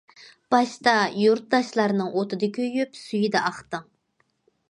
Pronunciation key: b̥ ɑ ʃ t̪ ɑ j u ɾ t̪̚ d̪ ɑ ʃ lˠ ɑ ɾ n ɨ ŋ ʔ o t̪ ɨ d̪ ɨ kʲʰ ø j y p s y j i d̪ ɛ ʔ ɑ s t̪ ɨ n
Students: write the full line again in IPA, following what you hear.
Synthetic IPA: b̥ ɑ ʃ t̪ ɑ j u ɾ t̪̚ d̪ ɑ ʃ lˠ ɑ ɾ n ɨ ŋ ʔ o t̪ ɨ d̪ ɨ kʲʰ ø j y p s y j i d̪ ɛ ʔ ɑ χ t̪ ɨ ŋ